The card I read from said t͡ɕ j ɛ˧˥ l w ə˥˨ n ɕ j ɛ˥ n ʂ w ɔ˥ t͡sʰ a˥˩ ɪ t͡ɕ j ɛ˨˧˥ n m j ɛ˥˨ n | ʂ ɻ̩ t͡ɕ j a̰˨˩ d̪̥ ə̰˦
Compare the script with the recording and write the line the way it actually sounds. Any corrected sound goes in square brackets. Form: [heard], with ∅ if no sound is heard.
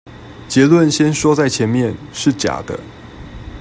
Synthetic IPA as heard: t͡ɕ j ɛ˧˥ l w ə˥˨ n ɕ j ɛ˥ n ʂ w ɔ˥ [t͡s] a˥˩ ɪ [t͡ɕʰ] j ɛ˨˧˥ n m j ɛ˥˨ n | ʂ ɻ̩ t͡ɕ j a̰˨˩ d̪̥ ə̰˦